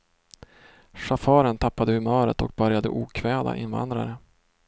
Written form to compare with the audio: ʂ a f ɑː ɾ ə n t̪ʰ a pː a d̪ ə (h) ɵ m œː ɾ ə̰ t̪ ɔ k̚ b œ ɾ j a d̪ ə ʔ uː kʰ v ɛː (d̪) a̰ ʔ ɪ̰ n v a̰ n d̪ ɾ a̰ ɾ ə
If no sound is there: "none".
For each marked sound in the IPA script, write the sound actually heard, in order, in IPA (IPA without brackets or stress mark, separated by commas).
h, d̪